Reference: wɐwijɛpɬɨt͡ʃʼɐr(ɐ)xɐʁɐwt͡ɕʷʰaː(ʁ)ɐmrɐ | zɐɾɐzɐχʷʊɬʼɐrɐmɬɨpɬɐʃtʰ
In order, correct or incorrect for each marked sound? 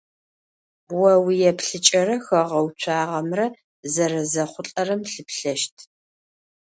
correct, correct

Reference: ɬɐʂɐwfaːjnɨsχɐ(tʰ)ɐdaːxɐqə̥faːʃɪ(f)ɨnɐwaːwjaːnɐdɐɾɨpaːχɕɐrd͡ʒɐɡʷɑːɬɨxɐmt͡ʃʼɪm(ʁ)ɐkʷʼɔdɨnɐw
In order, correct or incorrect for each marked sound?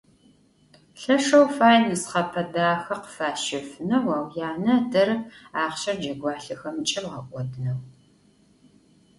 incorrect: pʰ, correct, correct

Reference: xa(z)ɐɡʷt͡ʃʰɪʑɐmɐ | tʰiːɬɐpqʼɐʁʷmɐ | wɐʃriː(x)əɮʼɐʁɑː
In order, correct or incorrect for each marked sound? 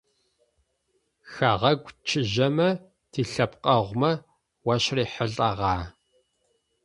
incorrect: ʁ, incorrect: ħ

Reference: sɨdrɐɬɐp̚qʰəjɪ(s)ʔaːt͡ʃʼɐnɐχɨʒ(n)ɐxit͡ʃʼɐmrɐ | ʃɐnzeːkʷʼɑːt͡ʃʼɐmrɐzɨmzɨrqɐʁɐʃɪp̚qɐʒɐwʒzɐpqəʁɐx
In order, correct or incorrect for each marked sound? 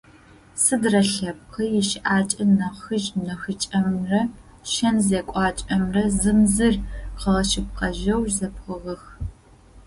incorrect: ʃ, correct

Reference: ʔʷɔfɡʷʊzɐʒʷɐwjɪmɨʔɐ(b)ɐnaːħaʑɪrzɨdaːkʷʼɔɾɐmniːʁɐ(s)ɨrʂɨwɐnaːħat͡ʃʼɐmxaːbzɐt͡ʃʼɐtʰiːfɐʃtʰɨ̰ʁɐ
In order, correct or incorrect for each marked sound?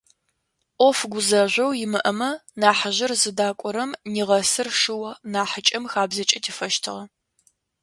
incorrect: m, correct

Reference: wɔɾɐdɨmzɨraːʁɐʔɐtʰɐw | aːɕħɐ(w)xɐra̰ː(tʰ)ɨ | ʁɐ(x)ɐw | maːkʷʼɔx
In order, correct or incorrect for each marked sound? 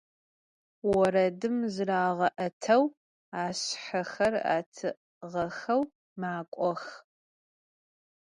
incorrect: none, correct, correct

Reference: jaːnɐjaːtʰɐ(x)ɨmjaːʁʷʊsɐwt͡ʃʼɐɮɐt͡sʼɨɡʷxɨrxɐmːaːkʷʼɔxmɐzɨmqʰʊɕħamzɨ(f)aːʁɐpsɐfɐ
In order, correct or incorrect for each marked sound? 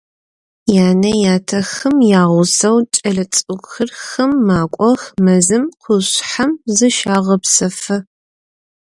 correct, incorrect: ʃ

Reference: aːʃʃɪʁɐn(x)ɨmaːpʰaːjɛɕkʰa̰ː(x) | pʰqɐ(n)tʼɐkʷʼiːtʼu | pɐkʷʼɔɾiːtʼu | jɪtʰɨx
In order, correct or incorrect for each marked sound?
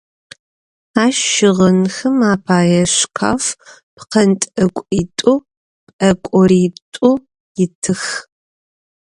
correct, incorrect: f, correct

